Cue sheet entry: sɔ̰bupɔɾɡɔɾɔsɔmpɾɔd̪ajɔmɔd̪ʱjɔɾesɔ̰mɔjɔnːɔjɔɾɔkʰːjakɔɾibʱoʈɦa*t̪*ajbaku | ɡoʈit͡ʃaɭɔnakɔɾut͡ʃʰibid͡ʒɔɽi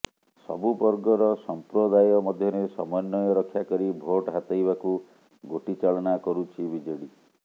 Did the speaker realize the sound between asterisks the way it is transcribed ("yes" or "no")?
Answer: yes